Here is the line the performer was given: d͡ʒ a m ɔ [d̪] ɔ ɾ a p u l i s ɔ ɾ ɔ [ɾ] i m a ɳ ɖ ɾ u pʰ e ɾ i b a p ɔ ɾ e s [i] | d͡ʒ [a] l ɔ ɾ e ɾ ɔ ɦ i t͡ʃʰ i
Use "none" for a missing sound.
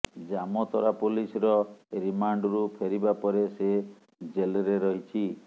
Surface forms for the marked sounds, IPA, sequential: t̪, ɾ, e, e

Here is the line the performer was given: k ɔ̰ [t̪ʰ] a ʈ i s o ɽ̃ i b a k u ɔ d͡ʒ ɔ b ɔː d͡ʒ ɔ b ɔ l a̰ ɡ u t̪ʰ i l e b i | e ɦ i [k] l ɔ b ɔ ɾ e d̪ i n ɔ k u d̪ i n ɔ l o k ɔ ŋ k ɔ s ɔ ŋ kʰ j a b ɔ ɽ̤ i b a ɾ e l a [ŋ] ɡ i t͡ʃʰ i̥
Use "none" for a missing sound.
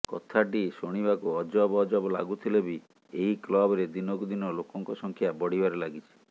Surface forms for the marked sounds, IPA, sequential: t̪ʰ, k, none

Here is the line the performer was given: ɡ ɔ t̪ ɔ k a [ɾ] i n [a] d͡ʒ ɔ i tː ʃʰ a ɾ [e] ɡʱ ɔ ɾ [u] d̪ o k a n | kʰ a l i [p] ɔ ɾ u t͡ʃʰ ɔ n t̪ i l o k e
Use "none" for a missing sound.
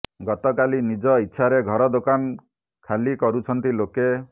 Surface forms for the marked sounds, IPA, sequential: l, i, e, ɔ, k

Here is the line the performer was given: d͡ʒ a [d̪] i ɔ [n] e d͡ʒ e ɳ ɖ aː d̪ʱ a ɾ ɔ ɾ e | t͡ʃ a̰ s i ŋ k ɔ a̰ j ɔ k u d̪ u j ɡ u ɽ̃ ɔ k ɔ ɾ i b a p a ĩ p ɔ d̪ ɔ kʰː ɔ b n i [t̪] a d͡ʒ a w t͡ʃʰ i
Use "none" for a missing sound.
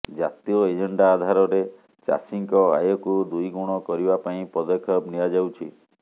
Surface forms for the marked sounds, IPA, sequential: t̪, none, none

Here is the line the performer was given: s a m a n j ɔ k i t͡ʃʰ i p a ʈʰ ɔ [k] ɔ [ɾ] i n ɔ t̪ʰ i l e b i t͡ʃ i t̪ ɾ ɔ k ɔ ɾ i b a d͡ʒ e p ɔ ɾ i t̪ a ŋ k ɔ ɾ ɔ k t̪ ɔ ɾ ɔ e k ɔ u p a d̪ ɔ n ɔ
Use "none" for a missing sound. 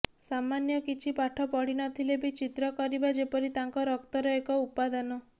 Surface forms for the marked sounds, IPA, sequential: p, ɽ

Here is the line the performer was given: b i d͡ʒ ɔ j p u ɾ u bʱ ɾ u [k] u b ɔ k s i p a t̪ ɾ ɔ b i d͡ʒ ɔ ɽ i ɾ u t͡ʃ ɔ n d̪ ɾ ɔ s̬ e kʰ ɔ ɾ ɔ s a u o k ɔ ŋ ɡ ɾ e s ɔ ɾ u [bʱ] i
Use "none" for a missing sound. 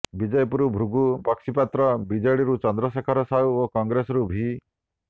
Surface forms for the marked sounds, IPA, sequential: ɡ, bʱ

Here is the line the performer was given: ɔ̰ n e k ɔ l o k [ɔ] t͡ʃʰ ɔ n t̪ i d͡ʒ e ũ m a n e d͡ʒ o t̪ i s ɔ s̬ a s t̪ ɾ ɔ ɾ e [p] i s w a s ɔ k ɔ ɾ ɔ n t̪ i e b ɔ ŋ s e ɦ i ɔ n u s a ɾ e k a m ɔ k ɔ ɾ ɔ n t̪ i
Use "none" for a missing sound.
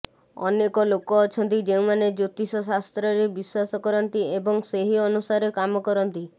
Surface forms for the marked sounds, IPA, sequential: ɔː, b

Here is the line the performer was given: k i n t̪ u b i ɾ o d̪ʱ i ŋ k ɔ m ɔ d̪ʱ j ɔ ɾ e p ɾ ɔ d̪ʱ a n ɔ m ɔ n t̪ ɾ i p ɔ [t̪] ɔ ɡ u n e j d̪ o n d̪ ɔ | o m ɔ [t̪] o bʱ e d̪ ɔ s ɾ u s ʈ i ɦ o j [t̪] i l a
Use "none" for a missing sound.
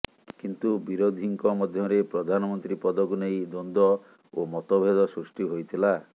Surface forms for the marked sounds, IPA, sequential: d̪, t̪, t̪ʰ

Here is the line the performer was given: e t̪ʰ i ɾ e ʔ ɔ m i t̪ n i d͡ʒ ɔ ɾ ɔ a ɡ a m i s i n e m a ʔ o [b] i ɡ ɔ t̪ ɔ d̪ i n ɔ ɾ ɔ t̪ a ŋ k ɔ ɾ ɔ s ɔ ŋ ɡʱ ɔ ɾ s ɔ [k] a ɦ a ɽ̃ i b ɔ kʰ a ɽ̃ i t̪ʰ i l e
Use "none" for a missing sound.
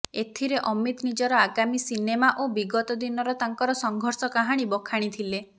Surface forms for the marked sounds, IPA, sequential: b, k

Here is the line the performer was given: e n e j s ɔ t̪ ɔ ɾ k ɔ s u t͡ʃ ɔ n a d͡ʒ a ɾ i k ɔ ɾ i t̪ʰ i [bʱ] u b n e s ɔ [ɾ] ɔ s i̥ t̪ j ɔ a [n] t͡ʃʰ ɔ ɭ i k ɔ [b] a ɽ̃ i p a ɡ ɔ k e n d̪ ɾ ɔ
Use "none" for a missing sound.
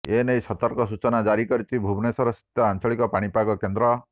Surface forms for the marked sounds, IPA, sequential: bʱ, ɾ, n, p

